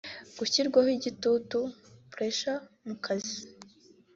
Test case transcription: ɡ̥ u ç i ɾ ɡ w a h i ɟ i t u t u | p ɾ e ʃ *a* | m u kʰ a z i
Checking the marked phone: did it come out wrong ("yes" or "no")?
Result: no